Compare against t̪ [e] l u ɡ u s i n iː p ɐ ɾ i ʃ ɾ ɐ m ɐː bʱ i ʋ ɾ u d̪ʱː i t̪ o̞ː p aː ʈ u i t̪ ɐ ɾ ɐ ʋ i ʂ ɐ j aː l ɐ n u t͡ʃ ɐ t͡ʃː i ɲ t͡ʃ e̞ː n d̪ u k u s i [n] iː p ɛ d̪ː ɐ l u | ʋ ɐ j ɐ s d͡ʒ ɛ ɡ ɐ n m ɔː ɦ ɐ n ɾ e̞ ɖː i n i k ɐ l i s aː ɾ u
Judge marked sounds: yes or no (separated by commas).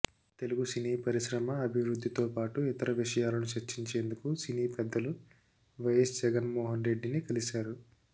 yes, yes